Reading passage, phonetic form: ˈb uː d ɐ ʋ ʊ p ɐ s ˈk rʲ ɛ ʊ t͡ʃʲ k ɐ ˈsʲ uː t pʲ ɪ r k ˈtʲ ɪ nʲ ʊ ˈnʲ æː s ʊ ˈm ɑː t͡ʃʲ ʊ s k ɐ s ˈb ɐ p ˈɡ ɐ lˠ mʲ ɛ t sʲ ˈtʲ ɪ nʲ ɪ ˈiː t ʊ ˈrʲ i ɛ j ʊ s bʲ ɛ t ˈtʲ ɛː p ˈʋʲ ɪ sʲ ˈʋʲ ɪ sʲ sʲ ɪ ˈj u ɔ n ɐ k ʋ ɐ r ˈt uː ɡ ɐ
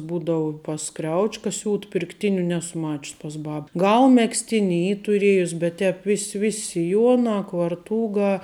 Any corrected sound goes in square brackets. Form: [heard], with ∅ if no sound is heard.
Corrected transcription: ˈb uː d ɐ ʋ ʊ p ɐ s ˈk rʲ ɛ ʊ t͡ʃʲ k ɐ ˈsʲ uː t pʲ ɪ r k ˈtʲ ɪ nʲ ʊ ˈnʲ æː s ʊ ˈm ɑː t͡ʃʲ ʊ s [p] ɐ s ˈb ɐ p ˈɡ ɐ lˠ mʲ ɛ [k] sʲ ˈtʲ ɪ nʲ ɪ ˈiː t ʊ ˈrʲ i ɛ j ʊ s bʲ ɛ t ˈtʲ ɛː p ˈʋʲ ɪ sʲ ˈʋʲ ɪ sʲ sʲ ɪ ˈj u ɔ n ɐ k ʋ ɐ r ˈt uː ɡ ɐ